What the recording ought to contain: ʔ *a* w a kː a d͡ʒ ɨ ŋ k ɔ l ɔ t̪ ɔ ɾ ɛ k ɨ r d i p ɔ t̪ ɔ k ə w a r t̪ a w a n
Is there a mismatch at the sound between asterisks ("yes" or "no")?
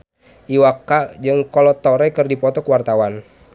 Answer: yes